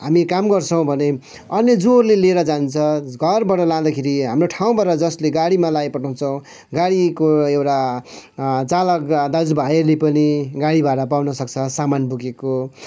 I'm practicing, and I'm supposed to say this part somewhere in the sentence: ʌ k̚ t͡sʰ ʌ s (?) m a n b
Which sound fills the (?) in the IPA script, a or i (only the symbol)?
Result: a